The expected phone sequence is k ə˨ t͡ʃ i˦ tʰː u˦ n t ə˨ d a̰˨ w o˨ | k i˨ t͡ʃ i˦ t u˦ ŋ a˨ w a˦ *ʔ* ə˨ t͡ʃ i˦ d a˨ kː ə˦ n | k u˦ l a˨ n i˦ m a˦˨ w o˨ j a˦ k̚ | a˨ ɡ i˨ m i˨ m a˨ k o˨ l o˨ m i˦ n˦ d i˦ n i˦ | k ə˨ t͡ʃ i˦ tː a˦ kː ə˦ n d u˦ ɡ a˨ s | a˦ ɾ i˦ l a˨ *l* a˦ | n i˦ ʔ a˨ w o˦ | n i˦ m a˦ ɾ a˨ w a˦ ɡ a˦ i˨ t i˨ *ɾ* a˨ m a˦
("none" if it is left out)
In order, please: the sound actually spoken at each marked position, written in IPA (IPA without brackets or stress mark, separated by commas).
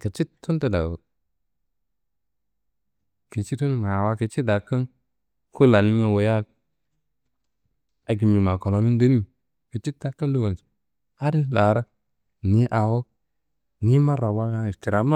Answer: k, ɾ, ɾ